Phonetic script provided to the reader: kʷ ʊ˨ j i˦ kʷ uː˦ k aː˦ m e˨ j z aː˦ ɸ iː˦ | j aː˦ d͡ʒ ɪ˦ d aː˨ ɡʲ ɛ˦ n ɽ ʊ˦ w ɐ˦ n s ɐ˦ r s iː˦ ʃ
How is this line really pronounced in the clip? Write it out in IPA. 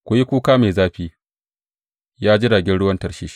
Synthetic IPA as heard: kʷ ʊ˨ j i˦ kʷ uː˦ k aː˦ m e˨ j z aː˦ ɸ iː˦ | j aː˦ d͡ʒ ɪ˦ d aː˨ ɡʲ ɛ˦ n ɽ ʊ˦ w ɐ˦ n t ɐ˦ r ʃ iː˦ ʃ